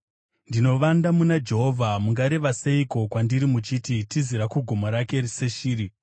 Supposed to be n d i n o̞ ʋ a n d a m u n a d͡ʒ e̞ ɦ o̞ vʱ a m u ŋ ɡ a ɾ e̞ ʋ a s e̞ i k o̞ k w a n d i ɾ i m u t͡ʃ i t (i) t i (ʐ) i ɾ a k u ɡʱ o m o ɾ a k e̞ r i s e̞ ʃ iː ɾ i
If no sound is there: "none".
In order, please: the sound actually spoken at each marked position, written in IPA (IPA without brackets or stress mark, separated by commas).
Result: i, z